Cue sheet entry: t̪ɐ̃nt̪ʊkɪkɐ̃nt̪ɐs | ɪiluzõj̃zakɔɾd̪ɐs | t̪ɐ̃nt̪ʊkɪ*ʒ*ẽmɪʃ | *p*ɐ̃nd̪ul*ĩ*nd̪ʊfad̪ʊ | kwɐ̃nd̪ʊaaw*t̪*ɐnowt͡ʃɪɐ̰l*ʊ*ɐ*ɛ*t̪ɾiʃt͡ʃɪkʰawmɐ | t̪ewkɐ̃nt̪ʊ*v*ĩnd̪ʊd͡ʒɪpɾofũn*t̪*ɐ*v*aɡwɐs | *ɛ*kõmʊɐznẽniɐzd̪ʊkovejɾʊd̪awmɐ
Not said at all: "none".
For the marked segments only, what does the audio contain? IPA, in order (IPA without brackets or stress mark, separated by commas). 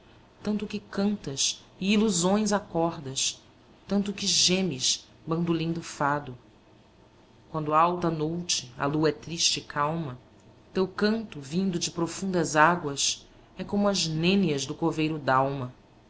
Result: ʒ, b, ĩ, t̪, u, ɛ, v, d̪, z, ɛ